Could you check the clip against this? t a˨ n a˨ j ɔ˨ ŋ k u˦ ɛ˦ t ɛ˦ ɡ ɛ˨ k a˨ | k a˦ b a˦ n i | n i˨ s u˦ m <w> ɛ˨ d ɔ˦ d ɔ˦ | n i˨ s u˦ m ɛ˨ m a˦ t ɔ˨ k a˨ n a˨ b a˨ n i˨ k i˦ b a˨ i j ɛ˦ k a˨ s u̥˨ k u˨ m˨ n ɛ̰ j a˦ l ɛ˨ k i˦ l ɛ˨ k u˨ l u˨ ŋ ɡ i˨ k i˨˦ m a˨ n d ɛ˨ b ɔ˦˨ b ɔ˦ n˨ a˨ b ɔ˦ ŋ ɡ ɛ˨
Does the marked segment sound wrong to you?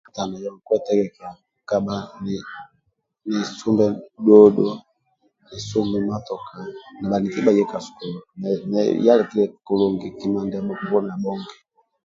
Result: yes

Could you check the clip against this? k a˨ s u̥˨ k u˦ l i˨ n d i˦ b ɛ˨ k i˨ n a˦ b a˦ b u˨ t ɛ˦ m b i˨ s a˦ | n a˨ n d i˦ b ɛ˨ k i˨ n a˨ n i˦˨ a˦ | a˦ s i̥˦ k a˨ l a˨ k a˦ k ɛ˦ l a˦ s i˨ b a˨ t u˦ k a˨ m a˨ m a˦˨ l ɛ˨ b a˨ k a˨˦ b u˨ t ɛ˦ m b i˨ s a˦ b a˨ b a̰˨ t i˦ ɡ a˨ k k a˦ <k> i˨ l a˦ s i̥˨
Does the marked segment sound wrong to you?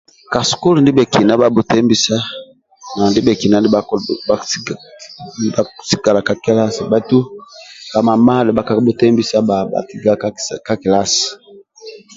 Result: no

